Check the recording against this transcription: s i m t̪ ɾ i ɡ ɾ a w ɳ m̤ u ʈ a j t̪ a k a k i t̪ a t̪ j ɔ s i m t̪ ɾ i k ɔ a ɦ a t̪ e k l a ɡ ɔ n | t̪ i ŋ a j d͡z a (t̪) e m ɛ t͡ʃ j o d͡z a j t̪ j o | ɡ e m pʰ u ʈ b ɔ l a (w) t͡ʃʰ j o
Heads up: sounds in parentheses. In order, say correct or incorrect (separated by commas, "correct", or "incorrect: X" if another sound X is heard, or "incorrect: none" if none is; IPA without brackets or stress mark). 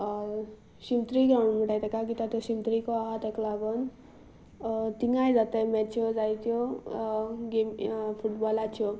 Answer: correct, incorrect: none